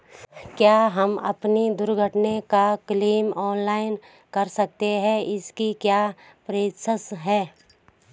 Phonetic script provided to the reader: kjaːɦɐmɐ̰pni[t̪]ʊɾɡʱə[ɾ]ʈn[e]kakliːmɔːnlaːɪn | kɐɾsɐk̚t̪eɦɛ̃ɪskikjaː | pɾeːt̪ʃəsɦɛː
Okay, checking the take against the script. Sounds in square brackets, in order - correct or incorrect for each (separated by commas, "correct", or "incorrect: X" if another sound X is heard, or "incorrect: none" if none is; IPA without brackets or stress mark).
incorrect: d̪, incorrect: none, correct